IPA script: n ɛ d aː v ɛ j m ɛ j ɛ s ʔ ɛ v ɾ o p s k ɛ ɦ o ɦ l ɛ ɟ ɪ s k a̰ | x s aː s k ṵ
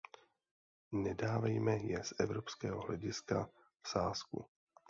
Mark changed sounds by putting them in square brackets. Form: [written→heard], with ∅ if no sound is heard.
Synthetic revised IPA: n ɛ d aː v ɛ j m ɛ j ɛ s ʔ ɛ v ɾ o p s k [ɛ→ɛː] ɦ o ɦ l ɛ ɟ ɪ s k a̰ | [x→f] s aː s k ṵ